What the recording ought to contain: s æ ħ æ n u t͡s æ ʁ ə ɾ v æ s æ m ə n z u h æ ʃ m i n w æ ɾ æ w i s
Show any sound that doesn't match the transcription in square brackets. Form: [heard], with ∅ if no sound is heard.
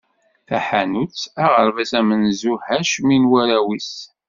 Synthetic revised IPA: [θ] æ ħ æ n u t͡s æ ʁ ə ɾ v æ s æ m ə n z u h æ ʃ m i n w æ ɾ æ w i s